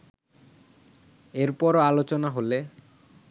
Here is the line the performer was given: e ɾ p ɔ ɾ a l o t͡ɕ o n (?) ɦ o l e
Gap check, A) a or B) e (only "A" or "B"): A